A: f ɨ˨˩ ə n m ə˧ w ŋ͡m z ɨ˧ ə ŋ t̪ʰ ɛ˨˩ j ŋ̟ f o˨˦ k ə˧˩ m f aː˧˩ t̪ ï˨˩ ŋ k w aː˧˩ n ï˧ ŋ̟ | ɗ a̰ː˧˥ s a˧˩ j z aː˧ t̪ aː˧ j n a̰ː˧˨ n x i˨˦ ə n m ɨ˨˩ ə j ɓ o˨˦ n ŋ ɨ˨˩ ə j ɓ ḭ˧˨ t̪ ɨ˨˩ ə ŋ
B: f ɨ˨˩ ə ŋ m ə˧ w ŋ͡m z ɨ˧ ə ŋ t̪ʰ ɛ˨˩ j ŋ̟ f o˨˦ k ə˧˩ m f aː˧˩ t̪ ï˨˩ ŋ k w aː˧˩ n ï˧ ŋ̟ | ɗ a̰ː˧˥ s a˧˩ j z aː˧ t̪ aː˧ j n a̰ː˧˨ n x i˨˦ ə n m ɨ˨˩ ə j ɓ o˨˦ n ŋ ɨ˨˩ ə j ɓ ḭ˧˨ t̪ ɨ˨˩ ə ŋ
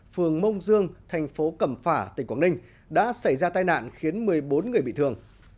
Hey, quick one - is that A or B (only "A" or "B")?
B